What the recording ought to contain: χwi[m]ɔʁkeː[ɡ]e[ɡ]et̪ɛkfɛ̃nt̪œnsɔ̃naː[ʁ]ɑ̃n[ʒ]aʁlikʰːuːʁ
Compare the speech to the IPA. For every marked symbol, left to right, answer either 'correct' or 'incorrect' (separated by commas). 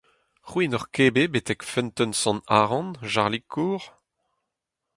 incorrect, incorrect, incorrect, correct, correct